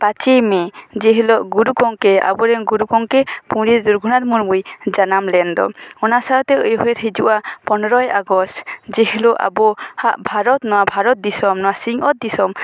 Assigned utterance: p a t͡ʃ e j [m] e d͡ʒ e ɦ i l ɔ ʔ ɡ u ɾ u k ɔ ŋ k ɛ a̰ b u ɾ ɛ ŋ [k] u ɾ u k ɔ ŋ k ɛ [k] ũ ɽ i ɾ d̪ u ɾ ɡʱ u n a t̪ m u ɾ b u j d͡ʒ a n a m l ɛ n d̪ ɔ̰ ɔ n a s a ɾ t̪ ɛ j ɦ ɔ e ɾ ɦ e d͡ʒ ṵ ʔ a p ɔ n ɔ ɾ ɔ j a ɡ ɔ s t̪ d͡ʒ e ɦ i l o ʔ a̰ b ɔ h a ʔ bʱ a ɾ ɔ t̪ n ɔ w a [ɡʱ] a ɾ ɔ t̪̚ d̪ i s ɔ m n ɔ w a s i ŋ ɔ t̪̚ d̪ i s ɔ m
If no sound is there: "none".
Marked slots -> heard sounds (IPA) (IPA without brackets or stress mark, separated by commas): m, ɡ, p, bʱ